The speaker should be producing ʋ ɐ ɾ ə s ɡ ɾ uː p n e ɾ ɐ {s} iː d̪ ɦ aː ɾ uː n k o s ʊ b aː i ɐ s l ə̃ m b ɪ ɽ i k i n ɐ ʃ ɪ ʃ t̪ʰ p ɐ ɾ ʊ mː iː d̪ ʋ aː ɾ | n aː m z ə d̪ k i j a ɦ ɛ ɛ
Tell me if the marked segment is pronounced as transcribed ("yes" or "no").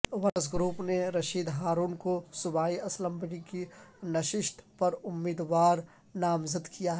no